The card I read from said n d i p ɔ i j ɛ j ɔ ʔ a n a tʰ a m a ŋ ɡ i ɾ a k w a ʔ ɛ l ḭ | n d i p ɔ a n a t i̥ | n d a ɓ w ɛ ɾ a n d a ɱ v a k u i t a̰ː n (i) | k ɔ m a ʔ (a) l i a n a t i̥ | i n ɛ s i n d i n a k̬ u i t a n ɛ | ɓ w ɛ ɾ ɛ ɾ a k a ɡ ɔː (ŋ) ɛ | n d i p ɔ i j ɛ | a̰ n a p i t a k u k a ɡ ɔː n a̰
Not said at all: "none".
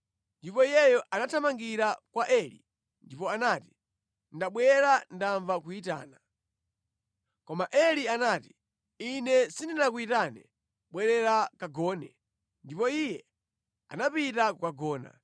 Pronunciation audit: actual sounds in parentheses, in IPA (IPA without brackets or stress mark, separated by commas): a, ɛ, n